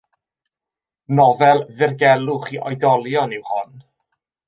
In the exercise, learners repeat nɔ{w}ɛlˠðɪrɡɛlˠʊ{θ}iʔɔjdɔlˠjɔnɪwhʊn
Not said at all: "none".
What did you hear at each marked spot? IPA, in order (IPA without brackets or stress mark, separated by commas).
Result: v, χ